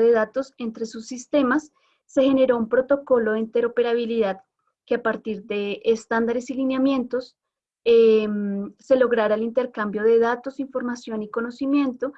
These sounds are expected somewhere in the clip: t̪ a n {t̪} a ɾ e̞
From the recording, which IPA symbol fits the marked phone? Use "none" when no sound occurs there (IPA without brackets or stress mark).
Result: d̪